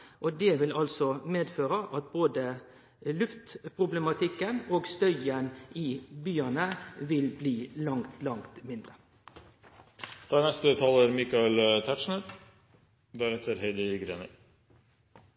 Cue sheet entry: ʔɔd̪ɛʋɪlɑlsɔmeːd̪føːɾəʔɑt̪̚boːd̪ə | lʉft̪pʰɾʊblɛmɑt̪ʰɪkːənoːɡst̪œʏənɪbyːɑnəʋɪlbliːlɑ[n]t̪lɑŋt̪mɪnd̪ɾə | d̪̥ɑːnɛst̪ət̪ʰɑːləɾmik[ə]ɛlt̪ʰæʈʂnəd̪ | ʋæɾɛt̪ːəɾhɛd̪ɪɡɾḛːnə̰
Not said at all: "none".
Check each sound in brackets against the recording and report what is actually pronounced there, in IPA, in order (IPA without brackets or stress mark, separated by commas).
ŋ, ɑ